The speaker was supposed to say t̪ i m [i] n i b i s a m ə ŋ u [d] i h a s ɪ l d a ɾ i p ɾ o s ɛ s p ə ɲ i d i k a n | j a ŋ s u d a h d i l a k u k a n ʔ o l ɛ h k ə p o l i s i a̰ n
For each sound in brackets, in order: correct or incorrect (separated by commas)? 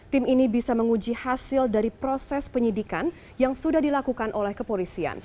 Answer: correct, incorrect